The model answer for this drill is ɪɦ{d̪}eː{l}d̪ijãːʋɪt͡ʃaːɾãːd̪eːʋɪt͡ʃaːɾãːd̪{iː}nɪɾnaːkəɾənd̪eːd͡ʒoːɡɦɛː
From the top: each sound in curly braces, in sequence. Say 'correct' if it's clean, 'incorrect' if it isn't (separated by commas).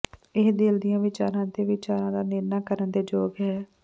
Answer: correct, correct, incorrect